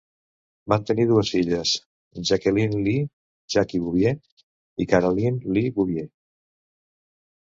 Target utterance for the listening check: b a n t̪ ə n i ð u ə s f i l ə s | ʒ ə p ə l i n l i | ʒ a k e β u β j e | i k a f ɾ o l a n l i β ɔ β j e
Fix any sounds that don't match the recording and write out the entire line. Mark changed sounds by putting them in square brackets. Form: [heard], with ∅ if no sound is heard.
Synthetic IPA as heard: b a n t̪ ə n i ð u ə s f i [ʎ] ə s | ʒ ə [k] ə l i n l i | ʒ a k [i] β u β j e | i k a [∅] ɾ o l [i] n l i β [u] β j e